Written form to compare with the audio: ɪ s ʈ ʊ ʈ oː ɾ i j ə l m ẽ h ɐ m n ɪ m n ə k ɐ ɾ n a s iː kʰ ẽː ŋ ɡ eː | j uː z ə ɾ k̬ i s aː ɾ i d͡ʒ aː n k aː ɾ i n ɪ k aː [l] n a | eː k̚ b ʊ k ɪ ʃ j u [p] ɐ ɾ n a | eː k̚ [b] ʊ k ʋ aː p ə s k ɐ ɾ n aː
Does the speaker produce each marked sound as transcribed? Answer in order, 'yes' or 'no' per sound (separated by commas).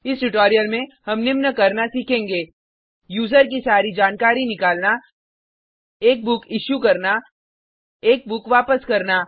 yes, no, yes